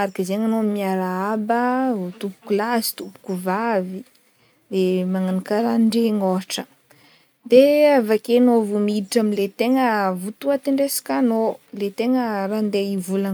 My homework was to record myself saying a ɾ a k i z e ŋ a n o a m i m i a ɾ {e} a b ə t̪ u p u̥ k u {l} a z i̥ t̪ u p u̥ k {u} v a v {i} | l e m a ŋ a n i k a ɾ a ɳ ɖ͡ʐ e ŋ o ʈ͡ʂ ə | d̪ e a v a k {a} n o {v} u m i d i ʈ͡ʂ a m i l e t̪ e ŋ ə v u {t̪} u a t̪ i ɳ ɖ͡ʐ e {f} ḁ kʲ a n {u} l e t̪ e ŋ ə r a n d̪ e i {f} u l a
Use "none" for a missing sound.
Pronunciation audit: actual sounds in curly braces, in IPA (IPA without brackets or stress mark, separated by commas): a, l, u, i, e, v, t̪, s, o, v